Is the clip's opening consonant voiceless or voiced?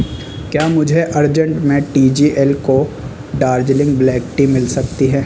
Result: voiceless